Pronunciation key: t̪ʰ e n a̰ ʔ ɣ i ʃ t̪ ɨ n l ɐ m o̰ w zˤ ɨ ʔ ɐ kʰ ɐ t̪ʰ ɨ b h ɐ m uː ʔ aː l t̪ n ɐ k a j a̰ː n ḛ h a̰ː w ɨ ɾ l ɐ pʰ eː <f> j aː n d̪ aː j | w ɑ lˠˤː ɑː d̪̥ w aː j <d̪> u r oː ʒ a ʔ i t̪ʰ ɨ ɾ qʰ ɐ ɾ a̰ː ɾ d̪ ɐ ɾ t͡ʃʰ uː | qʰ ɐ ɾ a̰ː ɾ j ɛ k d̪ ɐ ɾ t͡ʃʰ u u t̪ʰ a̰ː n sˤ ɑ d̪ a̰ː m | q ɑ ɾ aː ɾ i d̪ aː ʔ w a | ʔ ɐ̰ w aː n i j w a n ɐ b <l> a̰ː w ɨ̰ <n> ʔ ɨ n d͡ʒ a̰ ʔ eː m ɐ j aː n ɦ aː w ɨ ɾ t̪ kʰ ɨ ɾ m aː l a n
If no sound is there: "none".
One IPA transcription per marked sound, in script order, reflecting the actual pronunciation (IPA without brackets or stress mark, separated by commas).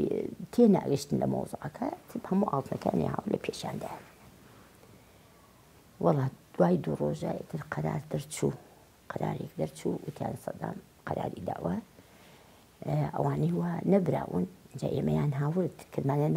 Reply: ʃ, d̪, ɾ, n